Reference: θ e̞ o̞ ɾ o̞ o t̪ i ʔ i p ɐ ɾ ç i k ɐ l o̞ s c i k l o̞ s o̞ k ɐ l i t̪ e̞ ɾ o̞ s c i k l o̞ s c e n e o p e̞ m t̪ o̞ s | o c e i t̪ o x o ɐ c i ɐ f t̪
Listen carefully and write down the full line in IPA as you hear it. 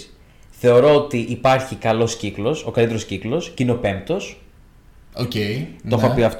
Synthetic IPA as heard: θ e̞ o̞ ɾ o̞ o t̪ i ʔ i p ɐ ɾ ç i k ɐ l o̞ s c i k l o̞ s o̞ k ɐ l i t̪ e̞ ɾ o̞ s c i k l o̞ s c i n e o p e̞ m t̪ o̞ s | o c e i t̪ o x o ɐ p i ɐ f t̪